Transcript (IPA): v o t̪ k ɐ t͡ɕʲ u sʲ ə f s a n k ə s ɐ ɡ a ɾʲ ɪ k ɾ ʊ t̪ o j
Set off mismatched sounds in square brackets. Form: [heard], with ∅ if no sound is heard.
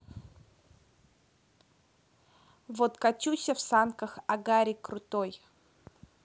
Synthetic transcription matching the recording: v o t̪ k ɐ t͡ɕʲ u sʲ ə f s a n k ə [x] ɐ ɡ a ɾʲ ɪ k ɾ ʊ t̪ o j